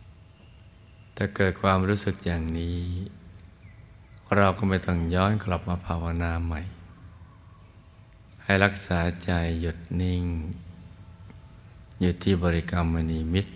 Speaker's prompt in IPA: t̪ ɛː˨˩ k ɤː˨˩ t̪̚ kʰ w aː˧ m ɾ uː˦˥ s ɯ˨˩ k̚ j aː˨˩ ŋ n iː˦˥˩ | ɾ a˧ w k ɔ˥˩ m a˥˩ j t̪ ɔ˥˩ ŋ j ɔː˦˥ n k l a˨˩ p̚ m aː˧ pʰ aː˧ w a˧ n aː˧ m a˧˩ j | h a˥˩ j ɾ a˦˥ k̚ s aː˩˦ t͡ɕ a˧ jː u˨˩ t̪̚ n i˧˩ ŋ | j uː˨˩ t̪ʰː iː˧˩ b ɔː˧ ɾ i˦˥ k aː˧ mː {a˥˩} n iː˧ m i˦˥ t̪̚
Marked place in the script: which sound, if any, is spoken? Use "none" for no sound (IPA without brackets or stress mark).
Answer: a˧